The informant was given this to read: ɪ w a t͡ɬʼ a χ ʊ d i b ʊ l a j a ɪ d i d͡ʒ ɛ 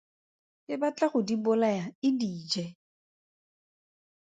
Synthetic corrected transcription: ɪ b a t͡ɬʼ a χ ʊ d i b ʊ l a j a ɪ d iː d͡ʒ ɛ